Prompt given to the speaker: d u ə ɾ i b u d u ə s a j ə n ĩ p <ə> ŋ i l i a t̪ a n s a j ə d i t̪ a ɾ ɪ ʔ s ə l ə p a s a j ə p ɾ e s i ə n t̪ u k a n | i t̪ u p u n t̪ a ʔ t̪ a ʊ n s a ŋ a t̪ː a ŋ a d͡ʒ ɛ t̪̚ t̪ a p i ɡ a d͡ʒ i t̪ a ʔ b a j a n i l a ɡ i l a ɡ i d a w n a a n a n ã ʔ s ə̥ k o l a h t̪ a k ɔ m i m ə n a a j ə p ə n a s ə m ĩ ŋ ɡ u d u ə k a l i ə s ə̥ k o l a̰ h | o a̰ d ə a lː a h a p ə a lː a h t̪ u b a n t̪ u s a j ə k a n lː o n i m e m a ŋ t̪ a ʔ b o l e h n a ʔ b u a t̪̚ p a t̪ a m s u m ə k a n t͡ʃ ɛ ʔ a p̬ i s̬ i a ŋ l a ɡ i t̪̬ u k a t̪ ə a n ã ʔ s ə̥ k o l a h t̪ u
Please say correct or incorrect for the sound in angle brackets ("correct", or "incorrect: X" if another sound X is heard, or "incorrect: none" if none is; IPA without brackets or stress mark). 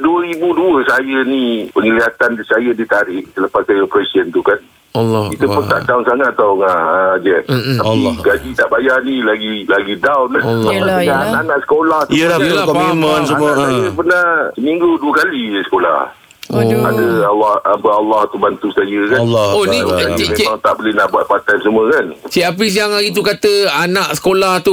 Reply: correct